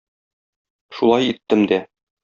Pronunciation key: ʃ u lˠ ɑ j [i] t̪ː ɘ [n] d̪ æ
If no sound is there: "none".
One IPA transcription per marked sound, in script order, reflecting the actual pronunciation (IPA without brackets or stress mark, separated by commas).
i, m